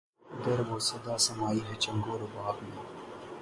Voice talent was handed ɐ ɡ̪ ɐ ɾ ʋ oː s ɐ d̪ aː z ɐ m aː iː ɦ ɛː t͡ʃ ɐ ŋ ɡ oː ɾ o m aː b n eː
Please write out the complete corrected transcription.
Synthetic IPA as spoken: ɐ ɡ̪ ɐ ɾ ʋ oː s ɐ d̪ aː s ɐ m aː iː ɦ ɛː t͡ʃ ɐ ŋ ɡ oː ɾ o b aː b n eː